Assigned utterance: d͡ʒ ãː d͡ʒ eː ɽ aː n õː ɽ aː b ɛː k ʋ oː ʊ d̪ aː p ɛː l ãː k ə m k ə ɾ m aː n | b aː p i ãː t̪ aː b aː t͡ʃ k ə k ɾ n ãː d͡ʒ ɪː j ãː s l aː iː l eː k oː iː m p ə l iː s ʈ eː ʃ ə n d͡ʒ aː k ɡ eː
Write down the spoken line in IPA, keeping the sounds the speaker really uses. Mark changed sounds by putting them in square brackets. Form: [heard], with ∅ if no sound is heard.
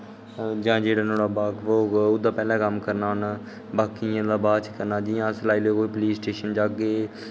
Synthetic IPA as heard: d͡ʒ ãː d͡ʒ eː ɽ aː n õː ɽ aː b [aː] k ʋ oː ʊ d̪ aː p ɛː l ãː k ə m k ə ɾ [n] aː n | b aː [k] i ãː [d̪] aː b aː t͡ʃ k ə [∅] ɾ n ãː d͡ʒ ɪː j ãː s l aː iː l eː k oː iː [∅] p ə l iː s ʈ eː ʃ ə n d͡ʒ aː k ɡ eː

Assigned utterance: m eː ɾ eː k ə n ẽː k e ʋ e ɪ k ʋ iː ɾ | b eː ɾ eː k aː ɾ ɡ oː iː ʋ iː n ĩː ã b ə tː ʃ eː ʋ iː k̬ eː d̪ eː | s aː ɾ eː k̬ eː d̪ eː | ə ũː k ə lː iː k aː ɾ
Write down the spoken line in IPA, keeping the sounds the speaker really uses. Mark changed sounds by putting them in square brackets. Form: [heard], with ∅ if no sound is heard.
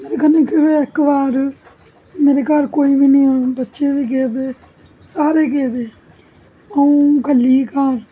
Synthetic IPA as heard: m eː ɾ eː k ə n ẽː k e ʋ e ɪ k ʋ [aː] ɾ | [m] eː ɾ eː k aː ɾ [k] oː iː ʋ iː n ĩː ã b ə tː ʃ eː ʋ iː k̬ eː d̪ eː | s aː ɾ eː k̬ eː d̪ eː | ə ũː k ə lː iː k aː ɾ

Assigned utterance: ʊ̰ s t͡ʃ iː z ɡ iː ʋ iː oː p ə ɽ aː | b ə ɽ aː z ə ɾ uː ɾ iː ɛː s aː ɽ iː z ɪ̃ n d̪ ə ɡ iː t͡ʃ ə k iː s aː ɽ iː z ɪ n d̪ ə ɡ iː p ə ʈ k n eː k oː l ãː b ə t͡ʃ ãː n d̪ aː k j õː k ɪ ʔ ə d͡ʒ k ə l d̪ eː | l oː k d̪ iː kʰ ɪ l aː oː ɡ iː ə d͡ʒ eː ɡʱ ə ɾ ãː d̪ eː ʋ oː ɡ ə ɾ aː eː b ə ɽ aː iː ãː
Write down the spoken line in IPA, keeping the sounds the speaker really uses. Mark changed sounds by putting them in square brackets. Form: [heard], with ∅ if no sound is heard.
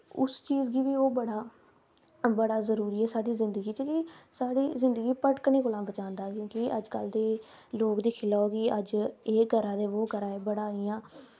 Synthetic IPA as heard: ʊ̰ s t͡ʃ iː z ɡ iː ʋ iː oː [b] ə ɽ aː | b ə ɽ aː z ə ɾ uː ɾ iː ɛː s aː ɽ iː z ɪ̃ n d̪ ə ɡ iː t͡ʃ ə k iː s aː ɽ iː z ɪ n d̪ ə ɡ iː p ə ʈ k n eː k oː l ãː b ə t͡ʃ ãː n d̪ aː k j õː k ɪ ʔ ə d͡ʒ k ə l d̪ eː | l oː k d̪ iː kʰ ɪ l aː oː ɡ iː ə d͡ʒ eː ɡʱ ə ɾ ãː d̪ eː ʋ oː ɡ ə ɾ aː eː b ə ɽ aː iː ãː

